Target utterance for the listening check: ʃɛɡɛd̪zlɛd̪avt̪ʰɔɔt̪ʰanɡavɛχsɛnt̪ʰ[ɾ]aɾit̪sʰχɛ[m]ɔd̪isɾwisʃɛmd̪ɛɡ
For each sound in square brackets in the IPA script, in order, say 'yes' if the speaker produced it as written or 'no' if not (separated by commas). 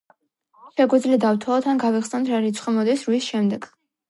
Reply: yes, yes